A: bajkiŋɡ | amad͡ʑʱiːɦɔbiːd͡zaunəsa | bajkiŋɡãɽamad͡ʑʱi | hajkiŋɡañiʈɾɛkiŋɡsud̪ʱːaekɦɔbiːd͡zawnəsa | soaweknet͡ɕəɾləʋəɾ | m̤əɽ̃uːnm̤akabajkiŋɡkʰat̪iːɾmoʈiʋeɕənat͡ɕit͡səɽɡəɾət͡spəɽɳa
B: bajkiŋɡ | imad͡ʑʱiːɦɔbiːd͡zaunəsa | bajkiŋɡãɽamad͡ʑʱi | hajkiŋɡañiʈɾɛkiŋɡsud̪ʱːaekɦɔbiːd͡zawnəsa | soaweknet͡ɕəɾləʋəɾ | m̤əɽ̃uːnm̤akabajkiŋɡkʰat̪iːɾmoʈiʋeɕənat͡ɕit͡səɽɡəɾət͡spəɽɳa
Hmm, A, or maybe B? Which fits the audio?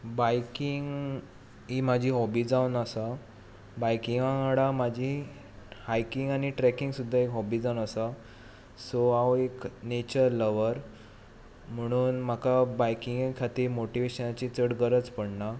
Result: B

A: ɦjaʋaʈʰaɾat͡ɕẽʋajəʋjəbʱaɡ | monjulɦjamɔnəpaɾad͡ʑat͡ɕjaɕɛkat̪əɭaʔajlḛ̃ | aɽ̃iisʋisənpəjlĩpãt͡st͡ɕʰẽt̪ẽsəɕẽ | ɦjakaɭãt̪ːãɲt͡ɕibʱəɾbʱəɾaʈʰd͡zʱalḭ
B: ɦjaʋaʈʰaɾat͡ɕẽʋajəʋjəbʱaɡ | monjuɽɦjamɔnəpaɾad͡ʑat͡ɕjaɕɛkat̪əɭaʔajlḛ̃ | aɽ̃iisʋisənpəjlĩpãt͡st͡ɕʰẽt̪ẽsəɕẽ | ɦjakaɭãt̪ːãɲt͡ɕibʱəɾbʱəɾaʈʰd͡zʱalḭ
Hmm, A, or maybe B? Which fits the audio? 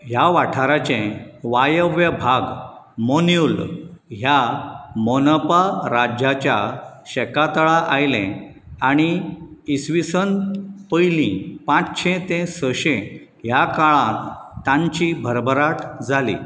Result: A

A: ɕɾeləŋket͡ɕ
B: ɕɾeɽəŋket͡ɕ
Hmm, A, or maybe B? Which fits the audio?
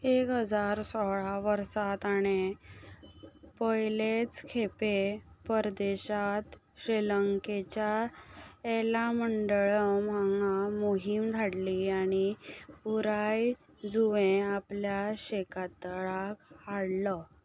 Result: A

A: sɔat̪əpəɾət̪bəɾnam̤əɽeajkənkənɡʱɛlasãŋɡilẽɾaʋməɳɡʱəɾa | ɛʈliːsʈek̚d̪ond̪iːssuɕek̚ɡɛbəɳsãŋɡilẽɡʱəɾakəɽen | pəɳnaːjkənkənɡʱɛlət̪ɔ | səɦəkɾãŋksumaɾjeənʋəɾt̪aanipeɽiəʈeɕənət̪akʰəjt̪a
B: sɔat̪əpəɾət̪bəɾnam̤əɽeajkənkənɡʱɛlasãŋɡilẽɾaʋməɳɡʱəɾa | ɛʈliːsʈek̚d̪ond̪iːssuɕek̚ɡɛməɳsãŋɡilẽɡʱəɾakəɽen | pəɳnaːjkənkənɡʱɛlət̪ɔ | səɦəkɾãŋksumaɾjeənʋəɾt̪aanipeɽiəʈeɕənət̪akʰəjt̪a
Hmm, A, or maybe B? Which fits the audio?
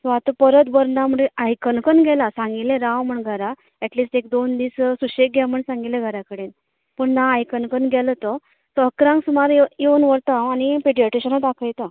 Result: B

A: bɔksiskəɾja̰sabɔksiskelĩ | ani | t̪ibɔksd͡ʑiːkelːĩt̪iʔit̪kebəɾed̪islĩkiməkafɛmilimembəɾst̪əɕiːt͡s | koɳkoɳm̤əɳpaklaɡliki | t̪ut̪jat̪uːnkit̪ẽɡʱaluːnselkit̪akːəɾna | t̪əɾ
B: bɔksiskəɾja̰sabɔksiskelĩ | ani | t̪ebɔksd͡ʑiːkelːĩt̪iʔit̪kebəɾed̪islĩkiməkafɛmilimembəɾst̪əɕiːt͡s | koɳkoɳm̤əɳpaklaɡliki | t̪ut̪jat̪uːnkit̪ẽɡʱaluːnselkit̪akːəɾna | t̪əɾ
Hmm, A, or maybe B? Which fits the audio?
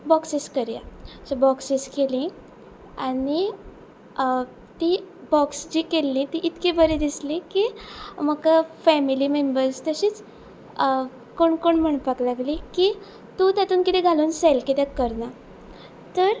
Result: A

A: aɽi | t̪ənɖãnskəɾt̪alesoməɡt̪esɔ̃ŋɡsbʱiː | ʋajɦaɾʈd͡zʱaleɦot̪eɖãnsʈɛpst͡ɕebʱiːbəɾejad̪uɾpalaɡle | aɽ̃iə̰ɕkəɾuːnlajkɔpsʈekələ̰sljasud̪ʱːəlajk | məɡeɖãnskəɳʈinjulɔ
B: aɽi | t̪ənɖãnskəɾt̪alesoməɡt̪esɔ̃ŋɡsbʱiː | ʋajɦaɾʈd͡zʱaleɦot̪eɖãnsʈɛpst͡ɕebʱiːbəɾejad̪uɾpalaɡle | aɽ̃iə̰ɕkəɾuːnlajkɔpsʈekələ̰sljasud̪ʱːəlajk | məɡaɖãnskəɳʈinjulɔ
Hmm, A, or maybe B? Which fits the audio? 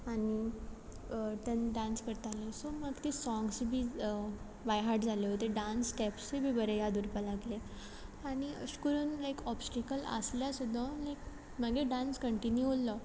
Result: A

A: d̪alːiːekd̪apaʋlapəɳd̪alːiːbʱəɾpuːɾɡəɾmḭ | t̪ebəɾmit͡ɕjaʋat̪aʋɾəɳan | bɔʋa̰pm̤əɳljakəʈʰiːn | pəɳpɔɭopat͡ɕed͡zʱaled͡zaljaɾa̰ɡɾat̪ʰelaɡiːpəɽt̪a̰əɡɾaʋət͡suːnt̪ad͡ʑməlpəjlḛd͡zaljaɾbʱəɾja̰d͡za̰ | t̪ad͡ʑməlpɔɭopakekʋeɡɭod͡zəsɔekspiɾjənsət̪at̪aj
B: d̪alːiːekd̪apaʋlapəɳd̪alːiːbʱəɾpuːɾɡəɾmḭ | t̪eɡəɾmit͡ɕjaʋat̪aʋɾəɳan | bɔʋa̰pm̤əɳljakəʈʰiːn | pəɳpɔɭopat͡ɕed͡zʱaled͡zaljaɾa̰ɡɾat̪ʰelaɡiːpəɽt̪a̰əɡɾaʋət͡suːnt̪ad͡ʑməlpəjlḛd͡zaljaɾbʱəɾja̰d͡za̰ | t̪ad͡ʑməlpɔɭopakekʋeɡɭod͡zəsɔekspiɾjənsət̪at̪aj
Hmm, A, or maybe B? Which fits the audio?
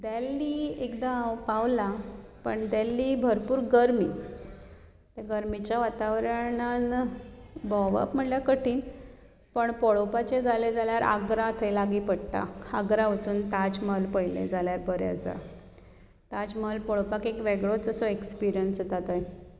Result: B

